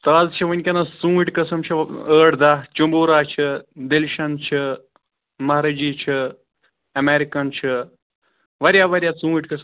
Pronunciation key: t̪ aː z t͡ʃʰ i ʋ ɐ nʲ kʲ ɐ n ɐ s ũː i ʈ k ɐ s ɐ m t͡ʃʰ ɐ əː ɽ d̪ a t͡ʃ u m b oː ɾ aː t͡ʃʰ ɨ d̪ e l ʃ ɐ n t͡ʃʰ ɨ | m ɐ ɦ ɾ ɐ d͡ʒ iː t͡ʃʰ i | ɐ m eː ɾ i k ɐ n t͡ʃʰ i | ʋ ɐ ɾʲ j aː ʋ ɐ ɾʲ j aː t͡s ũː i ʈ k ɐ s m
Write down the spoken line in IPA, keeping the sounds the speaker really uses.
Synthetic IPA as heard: t̪ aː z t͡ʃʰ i ʋ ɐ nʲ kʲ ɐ n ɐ s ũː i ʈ k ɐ s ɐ m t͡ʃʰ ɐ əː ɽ d̪ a t͡ʃ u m b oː ɾ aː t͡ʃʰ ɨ d̪ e l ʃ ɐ n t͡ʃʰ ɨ | m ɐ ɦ ɾ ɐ d͡ʒ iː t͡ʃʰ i | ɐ m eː ɾ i k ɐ n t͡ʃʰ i | ʋ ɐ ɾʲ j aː ʋ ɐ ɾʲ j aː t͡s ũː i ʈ k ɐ s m